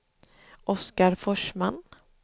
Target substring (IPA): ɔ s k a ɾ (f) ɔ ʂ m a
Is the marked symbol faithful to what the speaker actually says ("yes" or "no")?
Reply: yes